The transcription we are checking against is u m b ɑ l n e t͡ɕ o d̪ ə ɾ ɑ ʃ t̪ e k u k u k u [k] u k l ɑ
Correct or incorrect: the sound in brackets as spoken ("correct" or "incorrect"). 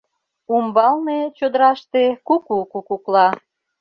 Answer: correct